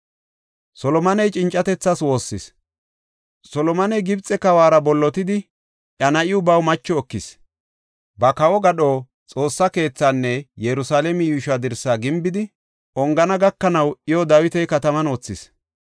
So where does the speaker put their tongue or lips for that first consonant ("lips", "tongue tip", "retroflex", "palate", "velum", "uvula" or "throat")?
tongue tip